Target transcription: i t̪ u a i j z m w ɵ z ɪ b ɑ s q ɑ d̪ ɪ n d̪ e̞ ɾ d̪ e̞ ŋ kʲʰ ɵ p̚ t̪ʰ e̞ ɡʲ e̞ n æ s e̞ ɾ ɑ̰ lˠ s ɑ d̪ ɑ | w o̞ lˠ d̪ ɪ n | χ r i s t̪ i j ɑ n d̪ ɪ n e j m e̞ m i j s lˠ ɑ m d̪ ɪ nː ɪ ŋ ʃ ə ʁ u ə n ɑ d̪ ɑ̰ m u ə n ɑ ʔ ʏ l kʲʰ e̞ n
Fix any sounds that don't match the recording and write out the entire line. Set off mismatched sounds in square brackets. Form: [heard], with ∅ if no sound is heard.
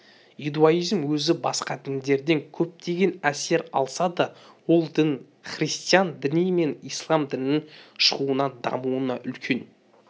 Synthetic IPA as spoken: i [d̪] u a i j z m w ɵ z ɪ b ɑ s q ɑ d̪ ɪ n d̪ e̞ ɾ d̪ e̞ ŋ kʲʰ ɵ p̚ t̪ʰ e̞ ɡʲ e̞ n æ s e̞ ɾ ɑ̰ lˠ s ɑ d̪ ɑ | w o̞ lˠ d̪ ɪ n | χ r i s t̪ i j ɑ n d̪ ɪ n [i] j m e̞ [n] i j s lˠ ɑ m d̪ ɪ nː ɪ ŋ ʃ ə ʁ u ə n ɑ d̪ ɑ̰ m u ə n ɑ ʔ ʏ l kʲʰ e̞ n